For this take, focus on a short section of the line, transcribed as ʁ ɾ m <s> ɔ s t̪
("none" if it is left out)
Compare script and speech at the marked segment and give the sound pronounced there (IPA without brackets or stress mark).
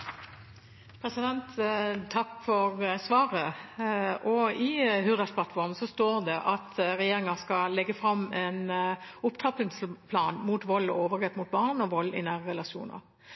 s